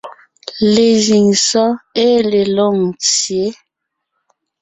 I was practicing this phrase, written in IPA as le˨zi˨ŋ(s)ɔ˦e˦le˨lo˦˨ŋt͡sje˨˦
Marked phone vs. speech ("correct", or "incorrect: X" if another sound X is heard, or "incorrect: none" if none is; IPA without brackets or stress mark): correct